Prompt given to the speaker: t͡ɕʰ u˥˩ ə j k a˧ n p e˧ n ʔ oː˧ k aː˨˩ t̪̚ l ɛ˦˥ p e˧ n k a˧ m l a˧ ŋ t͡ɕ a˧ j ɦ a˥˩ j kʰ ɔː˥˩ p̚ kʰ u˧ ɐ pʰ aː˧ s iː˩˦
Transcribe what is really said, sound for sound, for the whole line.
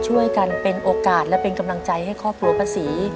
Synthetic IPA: t͡ɕʰ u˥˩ ə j k a˧ n p e˧ n ʔ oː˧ k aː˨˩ t̪̚ l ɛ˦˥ p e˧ n k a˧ m l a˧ ŋ t͡ɕ a˧ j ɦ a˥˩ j kʰ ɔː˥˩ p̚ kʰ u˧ ɐ pʰ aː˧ s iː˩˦